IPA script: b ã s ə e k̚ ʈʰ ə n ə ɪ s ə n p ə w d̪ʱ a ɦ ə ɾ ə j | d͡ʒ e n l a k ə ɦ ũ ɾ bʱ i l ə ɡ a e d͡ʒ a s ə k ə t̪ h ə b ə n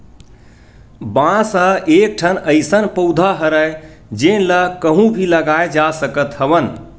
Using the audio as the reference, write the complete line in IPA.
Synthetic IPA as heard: b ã s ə e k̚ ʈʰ ə n ə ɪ s ə n p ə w d̪ʱ a ɦ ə ɾ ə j | d͡ʒ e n l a k ə ɦ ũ bʱ i l ə ɡ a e d͡ʒ a s ə k ə t̪ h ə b ə n